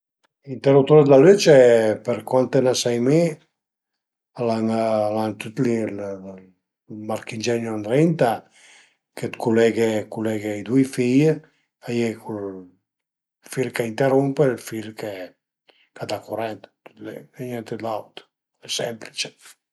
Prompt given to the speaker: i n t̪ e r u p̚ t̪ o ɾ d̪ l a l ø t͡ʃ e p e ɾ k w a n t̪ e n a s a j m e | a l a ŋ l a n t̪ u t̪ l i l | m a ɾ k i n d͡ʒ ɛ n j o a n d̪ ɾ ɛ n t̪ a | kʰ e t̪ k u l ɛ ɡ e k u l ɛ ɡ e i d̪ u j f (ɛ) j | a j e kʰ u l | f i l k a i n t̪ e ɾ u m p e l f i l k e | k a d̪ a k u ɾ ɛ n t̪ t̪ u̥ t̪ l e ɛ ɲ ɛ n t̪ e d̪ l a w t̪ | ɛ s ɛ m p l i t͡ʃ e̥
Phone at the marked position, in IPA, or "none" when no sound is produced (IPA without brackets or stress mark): i